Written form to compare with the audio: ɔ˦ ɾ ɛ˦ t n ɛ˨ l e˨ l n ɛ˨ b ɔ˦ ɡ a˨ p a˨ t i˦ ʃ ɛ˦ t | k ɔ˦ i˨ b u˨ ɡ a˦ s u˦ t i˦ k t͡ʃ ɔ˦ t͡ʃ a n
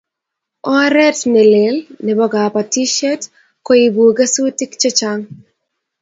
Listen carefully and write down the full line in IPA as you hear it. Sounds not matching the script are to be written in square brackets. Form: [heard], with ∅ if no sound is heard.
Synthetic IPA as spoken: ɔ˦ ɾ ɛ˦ t n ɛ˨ l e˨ l n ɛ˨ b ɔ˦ ɡ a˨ p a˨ t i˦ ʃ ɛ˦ t | k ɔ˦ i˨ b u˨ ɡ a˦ s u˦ t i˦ k t͡ʃ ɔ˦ t͡ʃ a [ŋ]